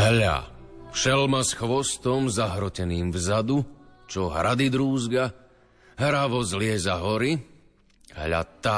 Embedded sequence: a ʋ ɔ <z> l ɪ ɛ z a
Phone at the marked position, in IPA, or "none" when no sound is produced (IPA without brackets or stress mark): z